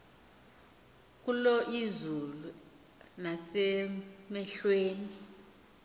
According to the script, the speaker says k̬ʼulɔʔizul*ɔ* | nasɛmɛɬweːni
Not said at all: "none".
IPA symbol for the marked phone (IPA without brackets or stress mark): u